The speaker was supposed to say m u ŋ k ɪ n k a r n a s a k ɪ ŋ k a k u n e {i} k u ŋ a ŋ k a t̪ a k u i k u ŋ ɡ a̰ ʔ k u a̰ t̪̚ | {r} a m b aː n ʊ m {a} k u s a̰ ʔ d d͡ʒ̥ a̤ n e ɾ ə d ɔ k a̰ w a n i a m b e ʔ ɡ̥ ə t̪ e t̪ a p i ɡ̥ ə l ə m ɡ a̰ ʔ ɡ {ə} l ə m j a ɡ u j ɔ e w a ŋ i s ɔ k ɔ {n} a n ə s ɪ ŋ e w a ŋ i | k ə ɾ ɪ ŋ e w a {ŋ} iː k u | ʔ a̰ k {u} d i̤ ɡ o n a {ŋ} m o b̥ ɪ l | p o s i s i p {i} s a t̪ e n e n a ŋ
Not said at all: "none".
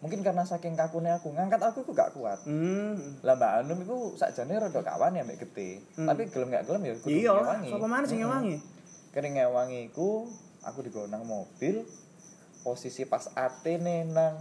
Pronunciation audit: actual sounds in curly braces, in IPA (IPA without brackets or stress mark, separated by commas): a, l, i, ə, m, ŋ, u, ŋ, a